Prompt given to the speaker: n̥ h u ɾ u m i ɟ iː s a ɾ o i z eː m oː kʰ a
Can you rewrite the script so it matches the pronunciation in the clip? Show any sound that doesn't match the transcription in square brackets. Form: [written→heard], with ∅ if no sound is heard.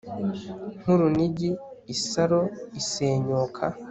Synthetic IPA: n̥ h u ɾ u [m→n] i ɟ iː s a ɾ o i [z→s] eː [m→ɲ] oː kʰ a